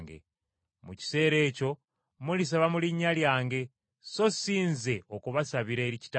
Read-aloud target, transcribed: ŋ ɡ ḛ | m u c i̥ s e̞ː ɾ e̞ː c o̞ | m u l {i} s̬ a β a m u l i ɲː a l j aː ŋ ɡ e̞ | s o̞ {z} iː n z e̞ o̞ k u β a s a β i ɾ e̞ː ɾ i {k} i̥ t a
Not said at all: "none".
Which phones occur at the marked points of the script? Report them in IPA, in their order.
i, s, c

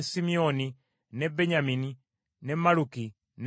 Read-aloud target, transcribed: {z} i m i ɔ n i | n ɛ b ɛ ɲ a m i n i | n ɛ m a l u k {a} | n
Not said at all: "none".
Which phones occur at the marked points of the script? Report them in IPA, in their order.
s, i

